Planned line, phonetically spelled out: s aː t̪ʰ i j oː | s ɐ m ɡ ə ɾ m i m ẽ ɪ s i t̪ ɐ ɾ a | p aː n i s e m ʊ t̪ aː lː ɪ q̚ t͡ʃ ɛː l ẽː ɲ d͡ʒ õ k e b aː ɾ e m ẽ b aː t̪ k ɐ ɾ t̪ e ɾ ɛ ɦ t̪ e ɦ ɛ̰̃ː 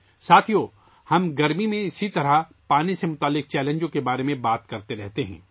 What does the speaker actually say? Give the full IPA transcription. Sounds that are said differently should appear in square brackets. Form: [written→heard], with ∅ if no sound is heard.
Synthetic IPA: s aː t̪ʰ i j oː | [s→h] ɐ m ɡ [ə→ɐ] ɾ m i m ẽ ɪ s i t̪ ɐ ɾ a | p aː n i s e m ʊ t̪ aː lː ɪ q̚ t͡ʃ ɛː l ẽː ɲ d͡ʒ õ k e b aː ɾ e m ẽ b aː t̪ k ɐ ɾ t̪ e ɾ ɛ ɦ t̪ e ɦ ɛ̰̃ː

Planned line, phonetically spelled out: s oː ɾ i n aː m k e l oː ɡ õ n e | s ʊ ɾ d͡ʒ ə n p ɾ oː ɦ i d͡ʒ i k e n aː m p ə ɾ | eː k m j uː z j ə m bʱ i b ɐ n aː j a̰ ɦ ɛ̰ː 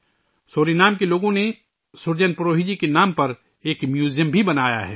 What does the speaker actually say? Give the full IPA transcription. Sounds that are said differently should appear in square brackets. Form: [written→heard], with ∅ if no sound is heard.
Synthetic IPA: s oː ɾ i n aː m k e l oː ɡ õ n e | s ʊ ɾ d͡ʒ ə n p ɾ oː ɦ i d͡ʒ i k e n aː m p [ə→ɐ] ɾ | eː k m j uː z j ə m bʱ i b ɐ n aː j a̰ ɦ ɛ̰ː

